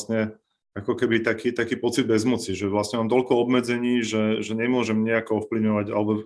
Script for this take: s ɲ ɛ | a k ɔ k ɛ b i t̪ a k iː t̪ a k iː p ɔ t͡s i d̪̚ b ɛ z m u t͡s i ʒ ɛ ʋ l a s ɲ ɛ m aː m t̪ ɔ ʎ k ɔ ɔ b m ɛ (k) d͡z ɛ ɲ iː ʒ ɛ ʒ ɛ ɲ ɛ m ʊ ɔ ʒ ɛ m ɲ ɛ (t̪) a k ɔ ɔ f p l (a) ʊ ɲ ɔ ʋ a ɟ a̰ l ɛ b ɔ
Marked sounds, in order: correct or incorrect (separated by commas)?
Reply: incorrect, incorrect, incorrect